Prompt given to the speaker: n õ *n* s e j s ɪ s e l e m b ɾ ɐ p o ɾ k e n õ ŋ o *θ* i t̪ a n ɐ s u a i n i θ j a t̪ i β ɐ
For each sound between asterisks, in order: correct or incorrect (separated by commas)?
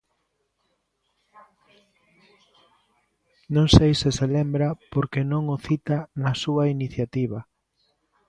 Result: incorrect, correct